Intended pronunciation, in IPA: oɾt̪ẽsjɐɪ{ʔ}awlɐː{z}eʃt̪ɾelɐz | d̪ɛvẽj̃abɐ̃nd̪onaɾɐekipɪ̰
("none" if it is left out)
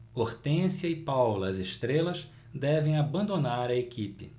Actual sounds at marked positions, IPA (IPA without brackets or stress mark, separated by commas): p, z